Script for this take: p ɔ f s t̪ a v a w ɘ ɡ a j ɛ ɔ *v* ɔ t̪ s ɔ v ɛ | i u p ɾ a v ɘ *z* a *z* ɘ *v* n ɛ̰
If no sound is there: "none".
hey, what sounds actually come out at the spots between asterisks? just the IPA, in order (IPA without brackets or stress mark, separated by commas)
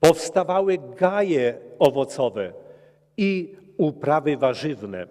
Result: v, v, ʐ, v